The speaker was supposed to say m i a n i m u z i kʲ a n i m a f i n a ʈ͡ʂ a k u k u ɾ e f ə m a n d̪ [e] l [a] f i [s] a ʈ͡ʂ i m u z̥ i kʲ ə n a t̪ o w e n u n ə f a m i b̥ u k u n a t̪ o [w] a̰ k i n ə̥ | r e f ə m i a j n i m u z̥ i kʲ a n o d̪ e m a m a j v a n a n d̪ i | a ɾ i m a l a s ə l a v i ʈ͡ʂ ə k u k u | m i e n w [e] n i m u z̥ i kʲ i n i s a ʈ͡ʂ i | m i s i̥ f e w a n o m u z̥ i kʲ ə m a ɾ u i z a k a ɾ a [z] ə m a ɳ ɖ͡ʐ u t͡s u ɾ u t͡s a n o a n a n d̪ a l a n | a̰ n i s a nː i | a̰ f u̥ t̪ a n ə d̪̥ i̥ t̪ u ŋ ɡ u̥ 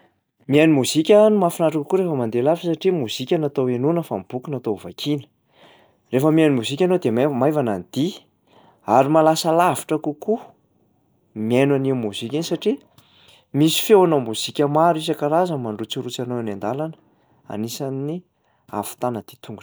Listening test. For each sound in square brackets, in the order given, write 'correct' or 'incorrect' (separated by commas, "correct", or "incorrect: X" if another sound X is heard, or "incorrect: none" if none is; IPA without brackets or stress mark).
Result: correct, correct, correct, incorrect: v, incorrect: a, correct